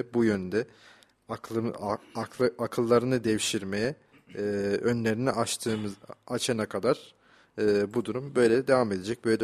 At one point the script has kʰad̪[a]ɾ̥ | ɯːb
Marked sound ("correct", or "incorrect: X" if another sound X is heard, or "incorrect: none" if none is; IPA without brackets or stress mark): correct